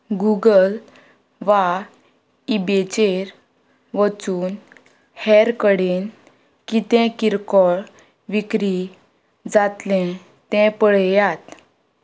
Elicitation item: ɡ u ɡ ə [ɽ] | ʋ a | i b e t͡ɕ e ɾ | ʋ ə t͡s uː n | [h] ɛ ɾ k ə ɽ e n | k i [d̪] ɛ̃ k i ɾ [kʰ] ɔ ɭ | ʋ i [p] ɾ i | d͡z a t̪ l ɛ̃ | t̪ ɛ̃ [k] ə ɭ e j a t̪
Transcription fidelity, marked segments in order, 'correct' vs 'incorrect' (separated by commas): incorrect, correct, incorrect, incorrect, incorrect, incorrect